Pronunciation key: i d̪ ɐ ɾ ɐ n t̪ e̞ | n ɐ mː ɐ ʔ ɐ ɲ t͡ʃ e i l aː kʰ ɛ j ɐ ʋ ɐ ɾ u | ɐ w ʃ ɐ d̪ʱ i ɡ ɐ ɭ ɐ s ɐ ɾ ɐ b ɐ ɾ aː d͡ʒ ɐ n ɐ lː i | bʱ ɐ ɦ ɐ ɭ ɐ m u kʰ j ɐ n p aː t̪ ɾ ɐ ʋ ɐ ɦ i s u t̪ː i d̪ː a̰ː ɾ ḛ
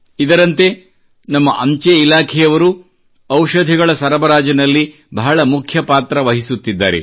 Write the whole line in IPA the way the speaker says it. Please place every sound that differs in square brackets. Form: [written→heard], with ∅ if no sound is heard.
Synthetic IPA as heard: i d̪ ɐ ɾ ɐ n t̪ e̞ | n ɐ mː ɐ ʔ ɐ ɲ t͡ʃ e i l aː kʰ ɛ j ɐ ʋ ɐ ɾ u | ɐ w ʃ ɐ d̪ʱ i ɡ ɐ ɭ ɐ s ɐ ɾ ɐ b ɐ ɾ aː d͡ʒ ɐ n ɐ lː i | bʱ ɐ ɦ ɐ ɭ ɐ m u kʰ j ɐ [n→∅] p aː t̪ ɾ ɐ ʋ ɐ ɦ i s u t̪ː i d̪ː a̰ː ɾ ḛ